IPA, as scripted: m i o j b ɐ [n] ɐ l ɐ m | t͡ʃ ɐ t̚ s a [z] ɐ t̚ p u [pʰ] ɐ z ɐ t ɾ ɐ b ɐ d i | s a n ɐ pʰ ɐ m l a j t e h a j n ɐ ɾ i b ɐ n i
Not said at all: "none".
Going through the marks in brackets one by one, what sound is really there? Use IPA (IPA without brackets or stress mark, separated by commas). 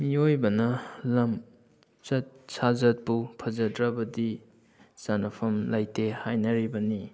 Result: n, z, pʰ